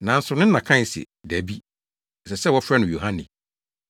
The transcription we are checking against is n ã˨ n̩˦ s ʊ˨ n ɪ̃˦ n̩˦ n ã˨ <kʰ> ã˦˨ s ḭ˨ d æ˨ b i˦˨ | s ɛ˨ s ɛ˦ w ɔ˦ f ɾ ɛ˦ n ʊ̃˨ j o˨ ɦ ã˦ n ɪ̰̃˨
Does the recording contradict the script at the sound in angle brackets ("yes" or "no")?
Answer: no